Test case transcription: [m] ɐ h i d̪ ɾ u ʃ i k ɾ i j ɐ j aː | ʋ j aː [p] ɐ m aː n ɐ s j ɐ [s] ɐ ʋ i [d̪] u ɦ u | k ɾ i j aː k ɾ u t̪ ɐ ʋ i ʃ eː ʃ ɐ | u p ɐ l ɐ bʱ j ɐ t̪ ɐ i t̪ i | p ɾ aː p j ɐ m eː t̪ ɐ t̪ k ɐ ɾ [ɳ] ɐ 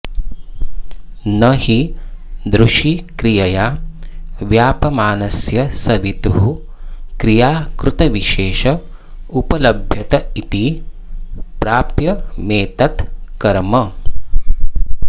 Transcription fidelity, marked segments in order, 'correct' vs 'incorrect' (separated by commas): incorrect, correct, correct, incorrect, incorrect